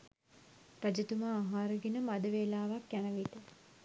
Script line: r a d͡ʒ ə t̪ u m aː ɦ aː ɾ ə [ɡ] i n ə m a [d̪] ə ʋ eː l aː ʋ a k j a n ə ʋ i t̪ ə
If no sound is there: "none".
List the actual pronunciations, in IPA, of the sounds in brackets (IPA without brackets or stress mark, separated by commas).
ɡ, d̪